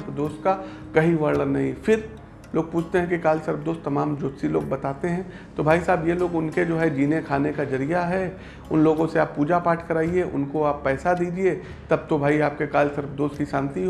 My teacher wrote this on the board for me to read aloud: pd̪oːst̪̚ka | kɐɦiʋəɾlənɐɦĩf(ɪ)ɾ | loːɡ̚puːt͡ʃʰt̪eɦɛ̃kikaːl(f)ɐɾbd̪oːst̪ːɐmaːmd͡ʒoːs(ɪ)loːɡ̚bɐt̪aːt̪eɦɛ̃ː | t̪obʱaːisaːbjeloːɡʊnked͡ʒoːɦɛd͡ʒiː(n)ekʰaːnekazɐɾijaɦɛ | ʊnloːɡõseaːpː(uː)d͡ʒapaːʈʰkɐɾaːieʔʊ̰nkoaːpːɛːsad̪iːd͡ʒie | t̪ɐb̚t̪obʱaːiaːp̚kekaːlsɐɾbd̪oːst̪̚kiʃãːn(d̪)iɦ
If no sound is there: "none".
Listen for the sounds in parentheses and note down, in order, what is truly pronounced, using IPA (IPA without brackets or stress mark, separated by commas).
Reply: ɪ, s, i, n, uː, t̪